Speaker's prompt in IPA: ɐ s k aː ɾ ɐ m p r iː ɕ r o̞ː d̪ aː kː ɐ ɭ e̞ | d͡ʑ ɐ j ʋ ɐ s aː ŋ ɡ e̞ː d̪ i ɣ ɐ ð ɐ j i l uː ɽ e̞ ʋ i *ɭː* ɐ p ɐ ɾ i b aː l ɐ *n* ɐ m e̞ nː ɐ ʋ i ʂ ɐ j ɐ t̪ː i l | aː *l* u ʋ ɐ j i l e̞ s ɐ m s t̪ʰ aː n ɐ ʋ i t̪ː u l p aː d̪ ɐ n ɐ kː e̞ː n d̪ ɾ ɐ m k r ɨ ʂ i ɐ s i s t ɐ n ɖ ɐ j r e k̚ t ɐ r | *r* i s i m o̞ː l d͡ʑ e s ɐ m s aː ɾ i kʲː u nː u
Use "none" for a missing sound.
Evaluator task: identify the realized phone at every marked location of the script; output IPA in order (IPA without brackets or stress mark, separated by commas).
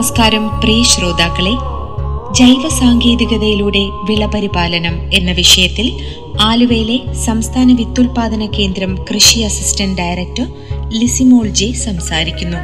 ɭ, n, l, l